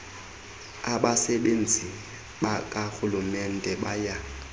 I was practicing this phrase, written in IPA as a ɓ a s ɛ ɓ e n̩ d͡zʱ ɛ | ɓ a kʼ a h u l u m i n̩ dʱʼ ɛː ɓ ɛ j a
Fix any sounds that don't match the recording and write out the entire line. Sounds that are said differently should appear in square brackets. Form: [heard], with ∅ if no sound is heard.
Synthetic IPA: a ɓ a s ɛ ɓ e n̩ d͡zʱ [i] | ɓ a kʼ a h u l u m [ɛ] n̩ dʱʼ [ɛ] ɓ [a] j a